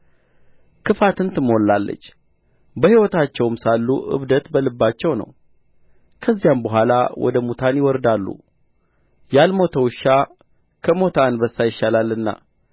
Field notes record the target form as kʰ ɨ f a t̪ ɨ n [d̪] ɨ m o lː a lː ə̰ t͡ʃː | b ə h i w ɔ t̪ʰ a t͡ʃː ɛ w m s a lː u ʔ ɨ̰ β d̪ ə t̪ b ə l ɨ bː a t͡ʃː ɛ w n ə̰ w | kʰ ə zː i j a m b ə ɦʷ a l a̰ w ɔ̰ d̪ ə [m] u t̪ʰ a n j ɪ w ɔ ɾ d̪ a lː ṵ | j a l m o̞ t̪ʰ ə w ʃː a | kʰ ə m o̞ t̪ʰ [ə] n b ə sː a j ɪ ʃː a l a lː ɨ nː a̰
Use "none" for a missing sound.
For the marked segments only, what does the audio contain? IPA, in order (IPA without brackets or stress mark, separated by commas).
t̪, m, a